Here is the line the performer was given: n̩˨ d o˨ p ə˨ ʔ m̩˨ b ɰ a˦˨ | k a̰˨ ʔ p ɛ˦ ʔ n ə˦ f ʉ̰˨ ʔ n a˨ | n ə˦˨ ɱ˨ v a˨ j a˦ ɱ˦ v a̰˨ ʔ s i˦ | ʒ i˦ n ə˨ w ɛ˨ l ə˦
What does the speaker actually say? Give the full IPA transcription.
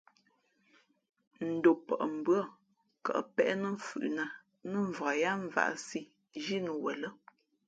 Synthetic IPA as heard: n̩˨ d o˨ p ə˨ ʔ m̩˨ b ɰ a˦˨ | k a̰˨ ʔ p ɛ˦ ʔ n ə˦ f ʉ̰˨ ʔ n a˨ | n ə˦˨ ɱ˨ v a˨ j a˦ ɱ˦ v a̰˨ ʔ s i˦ | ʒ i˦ n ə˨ w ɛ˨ l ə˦

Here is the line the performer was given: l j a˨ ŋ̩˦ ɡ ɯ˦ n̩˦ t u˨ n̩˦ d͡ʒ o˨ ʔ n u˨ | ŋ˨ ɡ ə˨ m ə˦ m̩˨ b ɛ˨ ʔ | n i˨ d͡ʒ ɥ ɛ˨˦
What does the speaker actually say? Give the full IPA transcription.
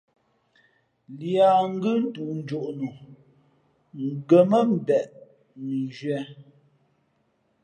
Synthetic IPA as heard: l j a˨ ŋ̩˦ ɡ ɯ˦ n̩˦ t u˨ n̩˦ d͡ʒ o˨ ʔ n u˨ | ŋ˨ ɡ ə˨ m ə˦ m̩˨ b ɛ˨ ʔ | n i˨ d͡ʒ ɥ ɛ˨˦

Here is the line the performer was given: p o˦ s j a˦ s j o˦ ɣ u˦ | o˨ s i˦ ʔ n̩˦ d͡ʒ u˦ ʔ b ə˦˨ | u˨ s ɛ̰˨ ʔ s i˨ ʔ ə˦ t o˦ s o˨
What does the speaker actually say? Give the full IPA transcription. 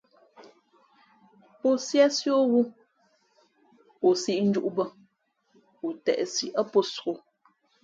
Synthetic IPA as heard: p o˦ s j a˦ s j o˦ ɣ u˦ | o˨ s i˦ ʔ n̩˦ d͡ʒ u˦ ʔ b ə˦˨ | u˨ t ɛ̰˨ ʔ s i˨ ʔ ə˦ p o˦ s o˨

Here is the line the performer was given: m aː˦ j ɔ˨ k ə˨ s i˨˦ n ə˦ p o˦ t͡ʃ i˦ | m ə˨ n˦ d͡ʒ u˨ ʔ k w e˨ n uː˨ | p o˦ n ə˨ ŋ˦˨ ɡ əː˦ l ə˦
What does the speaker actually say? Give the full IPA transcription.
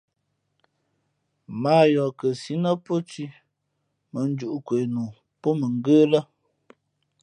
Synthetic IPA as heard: m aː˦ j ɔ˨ k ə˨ s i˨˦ n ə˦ p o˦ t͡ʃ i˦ | m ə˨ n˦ d͡ʒ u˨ ʔ k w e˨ n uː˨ | p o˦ m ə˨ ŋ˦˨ ɡ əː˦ l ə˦

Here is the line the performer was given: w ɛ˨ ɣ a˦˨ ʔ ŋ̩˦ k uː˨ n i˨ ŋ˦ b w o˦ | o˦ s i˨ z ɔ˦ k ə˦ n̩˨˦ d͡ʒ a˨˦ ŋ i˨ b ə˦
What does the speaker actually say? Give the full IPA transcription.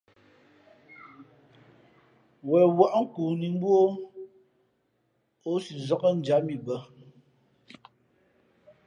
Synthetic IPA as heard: w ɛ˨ w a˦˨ ʔ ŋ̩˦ k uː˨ n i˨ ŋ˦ b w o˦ | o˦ s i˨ z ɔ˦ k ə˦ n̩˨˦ d͡ʒ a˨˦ m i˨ b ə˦

